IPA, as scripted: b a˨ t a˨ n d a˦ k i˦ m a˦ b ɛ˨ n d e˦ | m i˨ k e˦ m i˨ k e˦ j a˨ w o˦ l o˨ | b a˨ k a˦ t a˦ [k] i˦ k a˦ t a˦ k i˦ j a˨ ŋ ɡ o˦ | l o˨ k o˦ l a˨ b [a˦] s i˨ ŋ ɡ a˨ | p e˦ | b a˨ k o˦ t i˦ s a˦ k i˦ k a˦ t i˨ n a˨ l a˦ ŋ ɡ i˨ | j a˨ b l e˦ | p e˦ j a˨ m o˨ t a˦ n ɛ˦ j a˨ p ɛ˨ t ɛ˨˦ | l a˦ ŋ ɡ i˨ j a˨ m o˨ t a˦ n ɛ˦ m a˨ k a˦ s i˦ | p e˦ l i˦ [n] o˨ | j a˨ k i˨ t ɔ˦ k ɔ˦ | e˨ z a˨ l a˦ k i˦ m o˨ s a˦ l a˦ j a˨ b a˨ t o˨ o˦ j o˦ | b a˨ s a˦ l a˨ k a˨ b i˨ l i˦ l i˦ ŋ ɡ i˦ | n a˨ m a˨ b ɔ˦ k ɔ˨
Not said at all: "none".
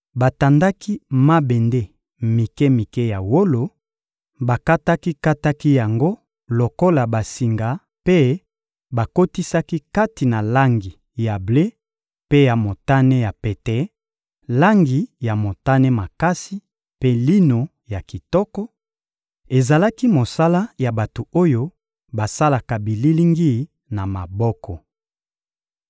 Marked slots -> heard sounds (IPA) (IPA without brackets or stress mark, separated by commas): k, a˨, n